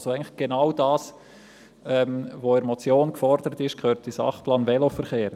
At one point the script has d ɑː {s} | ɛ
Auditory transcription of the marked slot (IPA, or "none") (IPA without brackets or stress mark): s